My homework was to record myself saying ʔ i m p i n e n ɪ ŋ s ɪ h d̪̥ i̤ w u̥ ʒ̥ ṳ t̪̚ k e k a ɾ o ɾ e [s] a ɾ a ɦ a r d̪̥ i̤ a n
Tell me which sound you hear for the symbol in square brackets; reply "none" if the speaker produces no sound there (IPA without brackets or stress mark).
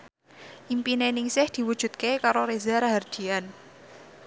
z